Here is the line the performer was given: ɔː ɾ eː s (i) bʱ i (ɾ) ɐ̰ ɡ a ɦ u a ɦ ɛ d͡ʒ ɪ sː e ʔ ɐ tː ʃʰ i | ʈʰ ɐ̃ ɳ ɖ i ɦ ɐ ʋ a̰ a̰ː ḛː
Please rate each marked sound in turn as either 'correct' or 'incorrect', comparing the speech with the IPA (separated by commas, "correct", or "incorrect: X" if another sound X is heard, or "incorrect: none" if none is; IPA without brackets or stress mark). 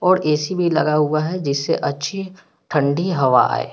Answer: correct, incorrect: l